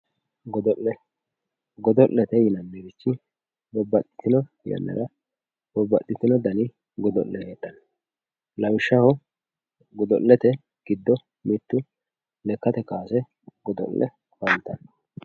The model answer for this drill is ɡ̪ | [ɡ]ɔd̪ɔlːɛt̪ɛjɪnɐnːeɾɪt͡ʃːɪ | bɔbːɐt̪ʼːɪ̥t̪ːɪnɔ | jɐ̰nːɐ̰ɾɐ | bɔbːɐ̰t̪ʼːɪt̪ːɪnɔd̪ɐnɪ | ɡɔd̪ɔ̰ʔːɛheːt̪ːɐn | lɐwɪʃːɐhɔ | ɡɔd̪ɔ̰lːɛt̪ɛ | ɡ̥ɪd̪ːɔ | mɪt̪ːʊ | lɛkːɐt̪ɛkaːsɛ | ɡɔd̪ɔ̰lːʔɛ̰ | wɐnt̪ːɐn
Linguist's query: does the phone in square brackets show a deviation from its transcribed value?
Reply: no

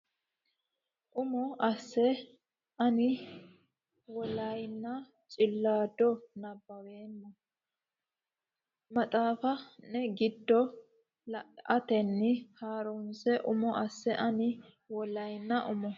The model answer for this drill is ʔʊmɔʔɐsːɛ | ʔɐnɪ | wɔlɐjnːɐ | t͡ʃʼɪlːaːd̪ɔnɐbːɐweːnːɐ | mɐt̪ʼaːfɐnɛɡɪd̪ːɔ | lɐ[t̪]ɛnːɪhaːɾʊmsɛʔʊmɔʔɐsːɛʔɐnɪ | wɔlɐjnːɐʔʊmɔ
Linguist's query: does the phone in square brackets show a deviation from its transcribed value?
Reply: no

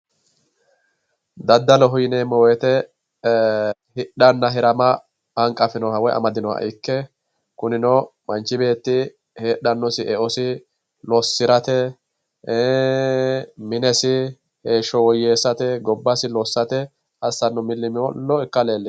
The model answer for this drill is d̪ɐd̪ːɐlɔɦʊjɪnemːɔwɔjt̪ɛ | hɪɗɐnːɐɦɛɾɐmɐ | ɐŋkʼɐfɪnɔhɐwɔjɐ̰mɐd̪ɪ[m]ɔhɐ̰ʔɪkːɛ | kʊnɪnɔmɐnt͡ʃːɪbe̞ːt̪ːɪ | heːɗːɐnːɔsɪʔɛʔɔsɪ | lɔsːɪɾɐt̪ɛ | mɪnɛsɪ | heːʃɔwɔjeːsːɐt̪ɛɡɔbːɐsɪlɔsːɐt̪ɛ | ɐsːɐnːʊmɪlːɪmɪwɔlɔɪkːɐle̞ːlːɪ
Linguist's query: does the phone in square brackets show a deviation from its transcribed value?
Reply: yes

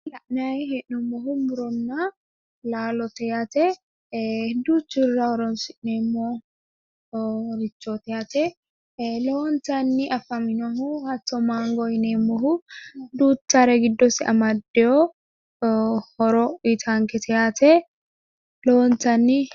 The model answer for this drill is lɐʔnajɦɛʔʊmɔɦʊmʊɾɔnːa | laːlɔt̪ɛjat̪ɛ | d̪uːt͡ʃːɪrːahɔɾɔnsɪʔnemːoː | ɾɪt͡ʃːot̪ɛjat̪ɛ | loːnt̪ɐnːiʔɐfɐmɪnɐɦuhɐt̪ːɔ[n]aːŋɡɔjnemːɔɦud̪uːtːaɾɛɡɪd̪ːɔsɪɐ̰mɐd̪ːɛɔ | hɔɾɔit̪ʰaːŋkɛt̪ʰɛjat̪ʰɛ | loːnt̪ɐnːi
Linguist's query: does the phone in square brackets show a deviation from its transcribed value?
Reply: yes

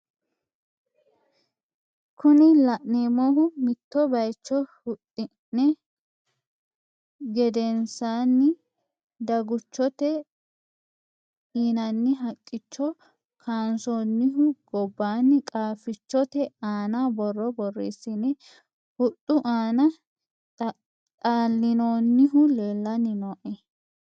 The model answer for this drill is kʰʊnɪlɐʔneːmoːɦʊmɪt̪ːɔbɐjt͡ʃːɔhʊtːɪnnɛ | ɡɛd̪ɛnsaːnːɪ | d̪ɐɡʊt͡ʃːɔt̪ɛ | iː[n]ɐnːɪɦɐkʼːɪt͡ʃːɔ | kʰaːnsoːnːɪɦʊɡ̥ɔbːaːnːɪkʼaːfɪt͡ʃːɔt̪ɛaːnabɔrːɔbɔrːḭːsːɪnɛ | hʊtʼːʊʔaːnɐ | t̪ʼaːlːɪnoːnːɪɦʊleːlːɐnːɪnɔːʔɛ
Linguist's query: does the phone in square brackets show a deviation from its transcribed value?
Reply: no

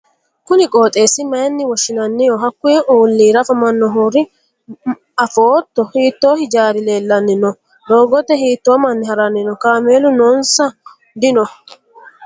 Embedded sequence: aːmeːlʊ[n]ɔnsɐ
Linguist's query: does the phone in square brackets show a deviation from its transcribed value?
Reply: no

